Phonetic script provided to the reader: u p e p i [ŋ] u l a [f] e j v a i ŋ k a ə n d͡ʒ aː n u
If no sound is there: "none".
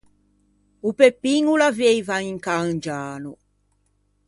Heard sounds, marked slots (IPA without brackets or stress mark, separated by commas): ŋ, v